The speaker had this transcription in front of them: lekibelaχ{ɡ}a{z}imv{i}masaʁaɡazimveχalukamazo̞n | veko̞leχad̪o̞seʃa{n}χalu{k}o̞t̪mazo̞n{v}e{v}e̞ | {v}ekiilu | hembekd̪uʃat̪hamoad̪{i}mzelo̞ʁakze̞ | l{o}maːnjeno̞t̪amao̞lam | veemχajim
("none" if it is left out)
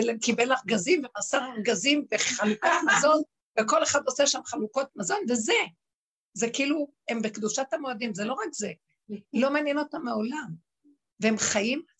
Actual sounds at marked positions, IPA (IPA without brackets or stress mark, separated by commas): ɡ, z, e, m, k, v, z, z, i, o